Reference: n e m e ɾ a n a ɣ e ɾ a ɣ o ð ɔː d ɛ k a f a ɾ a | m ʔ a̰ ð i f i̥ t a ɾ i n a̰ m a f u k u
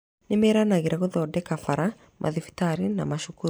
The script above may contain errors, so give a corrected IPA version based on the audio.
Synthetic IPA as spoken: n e m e ɾ a n a ɣ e ɾ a ɣ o ð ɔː d ɛ k a f a ɾ a | m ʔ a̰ ð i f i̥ t a ɾ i n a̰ m a ʃ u k u